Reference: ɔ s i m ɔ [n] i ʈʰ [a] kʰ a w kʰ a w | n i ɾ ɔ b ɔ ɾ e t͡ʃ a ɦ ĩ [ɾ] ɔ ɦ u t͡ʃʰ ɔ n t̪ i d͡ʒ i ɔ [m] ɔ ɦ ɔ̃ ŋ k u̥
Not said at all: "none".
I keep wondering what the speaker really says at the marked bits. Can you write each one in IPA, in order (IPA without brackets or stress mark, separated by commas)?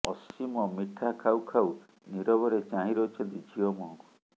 m, a, ɾ, m